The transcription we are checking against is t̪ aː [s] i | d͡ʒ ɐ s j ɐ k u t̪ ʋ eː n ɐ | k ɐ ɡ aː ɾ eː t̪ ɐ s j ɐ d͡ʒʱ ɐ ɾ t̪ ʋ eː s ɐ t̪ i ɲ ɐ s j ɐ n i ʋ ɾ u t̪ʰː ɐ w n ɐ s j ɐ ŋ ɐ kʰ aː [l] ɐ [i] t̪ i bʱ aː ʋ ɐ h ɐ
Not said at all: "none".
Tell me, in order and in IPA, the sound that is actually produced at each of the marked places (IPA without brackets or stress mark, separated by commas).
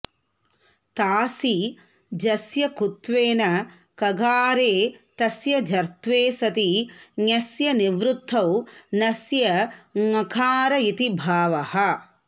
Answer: s, ɾ, i